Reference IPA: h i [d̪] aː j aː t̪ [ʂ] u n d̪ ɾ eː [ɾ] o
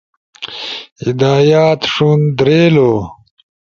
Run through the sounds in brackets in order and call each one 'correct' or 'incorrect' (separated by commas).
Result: correct, correct, incorrect